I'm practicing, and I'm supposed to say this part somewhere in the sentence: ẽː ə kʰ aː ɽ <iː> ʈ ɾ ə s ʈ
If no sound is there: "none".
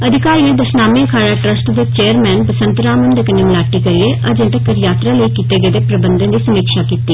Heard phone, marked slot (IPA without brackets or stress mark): aː